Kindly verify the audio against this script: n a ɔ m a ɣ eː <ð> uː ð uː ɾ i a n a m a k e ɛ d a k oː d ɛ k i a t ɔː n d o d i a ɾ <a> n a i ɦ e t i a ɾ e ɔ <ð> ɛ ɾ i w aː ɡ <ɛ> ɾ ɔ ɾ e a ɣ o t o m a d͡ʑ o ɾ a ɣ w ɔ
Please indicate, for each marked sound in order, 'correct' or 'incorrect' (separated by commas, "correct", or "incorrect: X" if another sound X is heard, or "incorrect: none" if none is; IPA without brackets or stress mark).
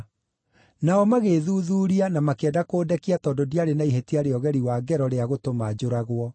correct, incorrect: e, incorrect: ɣ, correct